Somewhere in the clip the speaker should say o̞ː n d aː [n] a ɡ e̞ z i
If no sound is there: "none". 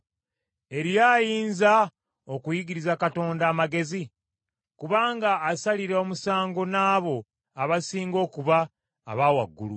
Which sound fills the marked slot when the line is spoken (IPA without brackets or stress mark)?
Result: m